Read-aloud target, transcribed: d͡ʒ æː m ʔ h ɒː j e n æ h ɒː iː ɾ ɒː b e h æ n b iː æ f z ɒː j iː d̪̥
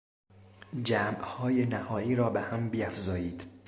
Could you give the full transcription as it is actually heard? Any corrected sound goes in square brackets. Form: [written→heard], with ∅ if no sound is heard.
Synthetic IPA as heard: d͡ʒ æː m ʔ h ɒː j e n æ h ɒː iː ɾ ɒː b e h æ [n→m] b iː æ f z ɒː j iː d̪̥